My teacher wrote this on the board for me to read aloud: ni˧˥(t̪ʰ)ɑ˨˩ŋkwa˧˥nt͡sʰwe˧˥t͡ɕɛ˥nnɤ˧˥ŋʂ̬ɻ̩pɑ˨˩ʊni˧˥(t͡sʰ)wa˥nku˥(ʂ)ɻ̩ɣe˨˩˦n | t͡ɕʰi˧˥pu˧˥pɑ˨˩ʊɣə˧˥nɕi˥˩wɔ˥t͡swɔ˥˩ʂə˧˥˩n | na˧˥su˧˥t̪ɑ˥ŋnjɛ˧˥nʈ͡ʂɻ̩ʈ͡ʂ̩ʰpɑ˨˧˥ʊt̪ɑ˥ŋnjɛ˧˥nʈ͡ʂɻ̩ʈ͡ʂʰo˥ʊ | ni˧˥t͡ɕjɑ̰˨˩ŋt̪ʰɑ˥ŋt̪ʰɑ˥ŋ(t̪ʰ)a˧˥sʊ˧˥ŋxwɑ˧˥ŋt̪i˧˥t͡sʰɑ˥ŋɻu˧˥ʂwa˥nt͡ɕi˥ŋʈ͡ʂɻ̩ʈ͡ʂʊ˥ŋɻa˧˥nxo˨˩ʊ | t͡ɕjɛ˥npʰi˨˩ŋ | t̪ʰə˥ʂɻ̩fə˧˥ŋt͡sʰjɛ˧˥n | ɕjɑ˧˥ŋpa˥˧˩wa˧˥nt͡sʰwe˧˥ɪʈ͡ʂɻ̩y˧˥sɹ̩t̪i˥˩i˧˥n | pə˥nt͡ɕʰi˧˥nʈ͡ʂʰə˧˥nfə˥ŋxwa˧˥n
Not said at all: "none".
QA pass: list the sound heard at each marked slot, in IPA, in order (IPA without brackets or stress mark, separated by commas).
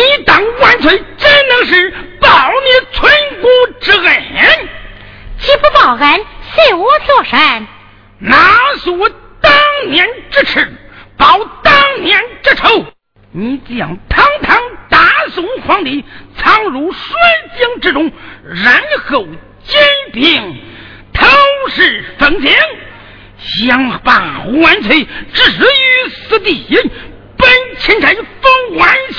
t̪, t͡sʰ, ʈ͡ʂ, t̪